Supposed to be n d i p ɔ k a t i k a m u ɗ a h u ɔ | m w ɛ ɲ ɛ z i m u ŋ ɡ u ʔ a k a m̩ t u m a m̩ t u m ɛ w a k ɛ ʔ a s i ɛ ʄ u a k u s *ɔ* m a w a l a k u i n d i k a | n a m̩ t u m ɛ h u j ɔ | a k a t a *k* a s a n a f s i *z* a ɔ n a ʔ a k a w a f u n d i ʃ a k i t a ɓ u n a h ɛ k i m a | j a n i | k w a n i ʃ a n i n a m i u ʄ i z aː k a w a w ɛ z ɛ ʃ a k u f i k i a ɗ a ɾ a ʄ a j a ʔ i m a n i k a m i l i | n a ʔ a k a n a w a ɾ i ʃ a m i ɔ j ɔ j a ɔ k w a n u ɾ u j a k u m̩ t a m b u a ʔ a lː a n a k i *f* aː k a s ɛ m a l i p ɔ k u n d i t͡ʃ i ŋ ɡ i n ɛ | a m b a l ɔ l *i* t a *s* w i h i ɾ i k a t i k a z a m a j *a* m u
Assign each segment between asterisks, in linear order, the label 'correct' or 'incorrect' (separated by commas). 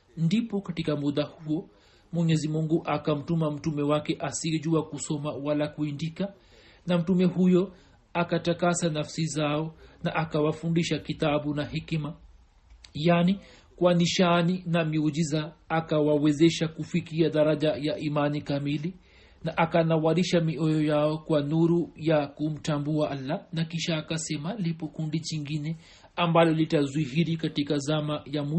correct, correct, correct, incorrect, correct, incorrect, correct